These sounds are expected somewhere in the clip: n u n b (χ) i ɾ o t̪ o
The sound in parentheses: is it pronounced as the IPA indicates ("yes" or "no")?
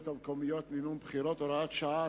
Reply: yes